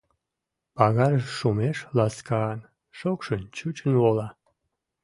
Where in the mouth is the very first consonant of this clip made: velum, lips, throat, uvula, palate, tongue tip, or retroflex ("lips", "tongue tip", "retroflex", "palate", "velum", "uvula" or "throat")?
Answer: lips